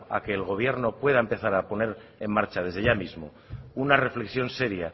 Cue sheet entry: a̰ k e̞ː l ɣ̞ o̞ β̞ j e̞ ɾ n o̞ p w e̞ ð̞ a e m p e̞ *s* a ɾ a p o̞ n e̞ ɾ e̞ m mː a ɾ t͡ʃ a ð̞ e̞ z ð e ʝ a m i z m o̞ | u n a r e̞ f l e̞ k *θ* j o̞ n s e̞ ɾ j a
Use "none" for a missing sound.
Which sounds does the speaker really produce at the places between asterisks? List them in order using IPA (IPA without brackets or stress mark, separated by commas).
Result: θ, s